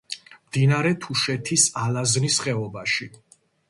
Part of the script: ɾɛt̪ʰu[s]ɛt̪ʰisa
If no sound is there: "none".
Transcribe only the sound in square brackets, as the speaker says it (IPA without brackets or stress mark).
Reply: ʃ